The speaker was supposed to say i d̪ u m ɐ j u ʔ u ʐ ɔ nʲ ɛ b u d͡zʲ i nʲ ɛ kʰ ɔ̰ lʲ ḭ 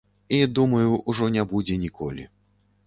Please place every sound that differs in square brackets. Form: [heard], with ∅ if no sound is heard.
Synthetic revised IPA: i d̪ u m ɐ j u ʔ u ʐ ɔ nʲ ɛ b u d͡zʲ [ɛ] nʲ [i] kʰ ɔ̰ lʲ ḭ